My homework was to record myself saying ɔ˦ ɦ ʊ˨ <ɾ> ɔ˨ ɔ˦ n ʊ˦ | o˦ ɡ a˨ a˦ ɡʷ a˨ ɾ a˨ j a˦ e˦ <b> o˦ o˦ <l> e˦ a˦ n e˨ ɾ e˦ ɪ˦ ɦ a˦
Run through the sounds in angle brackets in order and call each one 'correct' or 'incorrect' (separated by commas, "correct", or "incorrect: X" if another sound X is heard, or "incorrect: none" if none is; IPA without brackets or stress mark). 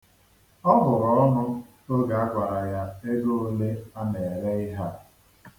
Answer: correct, incorrect: ɡ, correct